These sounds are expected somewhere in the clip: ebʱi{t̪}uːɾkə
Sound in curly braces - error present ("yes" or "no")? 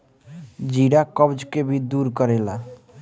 yes